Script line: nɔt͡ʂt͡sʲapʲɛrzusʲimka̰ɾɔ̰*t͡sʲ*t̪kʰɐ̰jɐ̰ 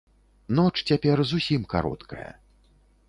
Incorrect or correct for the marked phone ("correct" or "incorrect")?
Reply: incorrect